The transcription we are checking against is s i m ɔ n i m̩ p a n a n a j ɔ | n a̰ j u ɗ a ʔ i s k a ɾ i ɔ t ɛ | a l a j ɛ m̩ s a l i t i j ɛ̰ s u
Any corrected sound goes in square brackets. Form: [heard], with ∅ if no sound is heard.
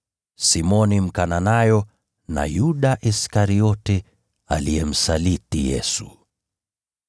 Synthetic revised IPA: s i m ɔ n i m̩ [k] a n a n a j ɔ | n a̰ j u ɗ a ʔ i s k a ɾ i ɔ t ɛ | a l [i] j ɛ m̩ s a l i t i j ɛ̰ s u

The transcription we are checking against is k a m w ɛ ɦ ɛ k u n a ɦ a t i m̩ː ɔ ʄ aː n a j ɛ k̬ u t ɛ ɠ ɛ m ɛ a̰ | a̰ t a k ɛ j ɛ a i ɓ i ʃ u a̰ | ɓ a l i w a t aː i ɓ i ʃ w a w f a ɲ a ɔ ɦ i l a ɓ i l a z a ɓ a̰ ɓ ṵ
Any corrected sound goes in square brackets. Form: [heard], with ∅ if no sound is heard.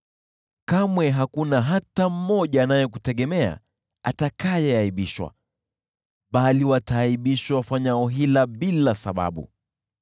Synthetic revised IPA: k a m w ɛ ɦ [a] k u n a ɦ a t [a] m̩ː ɔ ʄ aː n a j ɛ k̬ u t ɛ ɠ ɛ m ɛ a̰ | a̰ t a k [a] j ɛ a i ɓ i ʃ [w] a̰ | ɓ a l i w a t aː i ɓ i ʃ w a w f a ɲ a ɔ ɦ i l a ɓ i l a [s] a ɓ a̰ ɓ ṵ

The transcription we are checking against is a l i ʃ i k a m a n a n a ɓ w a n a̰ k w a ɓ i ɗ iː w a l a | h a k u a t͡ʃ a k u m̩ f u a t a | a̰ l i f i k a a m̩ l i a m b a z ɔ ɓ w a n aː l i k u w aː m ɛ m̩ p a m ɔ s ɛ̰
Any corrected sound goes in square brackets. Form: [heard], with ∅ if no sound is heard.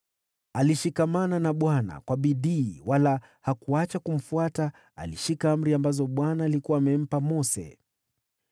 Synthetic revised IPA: a l i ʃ i k a m a n a n a ɓ w a n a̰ k w a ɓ i ɗ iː w a l a | h a k u a t͡ʃ a k u m̩ f u a t a | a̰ l i [ʃ] i k a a m̩ [ɾ] i a m b a z ɔ ɓ w a n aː l i k u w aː m ɛ m̩ p a m ɔ s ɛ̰

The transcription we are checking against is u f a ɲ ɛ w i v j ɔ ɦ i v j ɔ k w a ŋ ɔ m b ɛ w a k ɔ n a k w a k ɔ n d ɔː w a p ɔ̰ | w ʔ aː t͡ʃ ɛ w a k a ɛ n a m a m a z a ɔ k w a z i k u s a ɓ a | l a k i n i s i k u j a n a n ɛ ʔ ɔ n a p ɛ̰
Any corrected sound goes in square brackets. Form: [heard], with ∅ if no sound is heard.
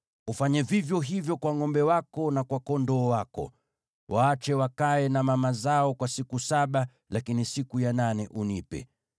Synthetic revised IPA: u f a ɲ ɛ [v] i v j ɔ ɦ i v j ɔ k w a ŋ ɔ m b ɛ w a k ɔ n a k w a k ɔ n d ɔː w a [k] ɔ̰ | w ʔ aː t͡ʃ ɛ w a k a ɛ n a m a m a z a ɔ k w a [s] i k u s a ɓ a | l a k i n i s i k u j a n a n ɛ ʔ [u] n [i] p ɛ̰

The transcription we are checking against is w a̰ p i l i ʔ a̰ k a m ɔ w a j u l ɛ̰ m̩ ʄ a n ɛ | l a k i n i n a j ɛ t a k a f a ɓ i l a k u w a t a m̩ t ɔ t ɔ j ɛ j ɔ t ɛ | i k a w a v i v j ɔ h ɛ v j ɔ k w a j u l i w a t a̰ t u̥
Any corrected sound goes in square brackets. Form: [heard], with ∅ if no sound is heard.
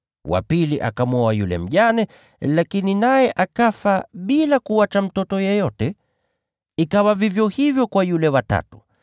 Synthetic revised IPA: w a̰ p i l i ʔ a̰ k a m ɔ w a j u l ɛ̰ m̩ ʄ a n ɛ | l a k i n i n a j ɛ [ʔ] a k a f a ɓ i l a k u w a [t͡ʃ] a m̩ t ɔ t ɔ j ɛ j ɔ t ɛ | i k a w a v i v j ɔ h [i] v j ɔ k w a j u l [ɛ] w a t a̰ t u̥

